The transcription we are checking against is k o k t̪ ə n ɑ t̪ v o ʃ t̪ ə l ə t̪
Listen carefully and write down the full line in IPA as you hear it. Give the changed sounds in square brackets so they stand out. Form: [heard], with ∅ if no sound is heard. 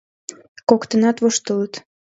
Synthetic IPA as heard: k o k t̪ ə n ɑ t̪ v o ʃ t̪ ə l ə t̪